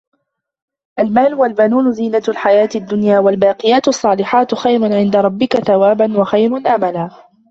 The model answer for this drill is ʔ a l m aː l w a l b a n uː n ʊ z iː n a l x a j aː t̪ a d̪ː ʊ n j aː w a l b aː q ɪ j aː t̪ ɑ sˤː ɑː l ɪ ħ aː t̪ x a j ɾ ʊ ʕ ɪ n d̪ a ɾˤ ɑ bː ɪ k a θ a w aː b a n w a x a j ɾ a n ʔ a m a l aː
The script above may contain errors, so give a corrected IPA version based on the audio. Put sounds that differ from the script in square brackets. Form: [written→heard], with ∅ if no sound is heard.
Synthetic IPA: ʔ a l m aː l w a l b a n uː n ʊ z iː n a l [x→ħ] a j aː t̪ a d̪ː ʊ n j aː w a l b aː q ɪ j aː t̪ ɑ sˤː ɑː l ɪ ħ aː t̪ x a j ɾ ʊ ʕ ɪ n d̪ a ɾˤ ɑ bː ɪ k a θ a w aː b a n w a x a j ɾ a n ʔ a m a l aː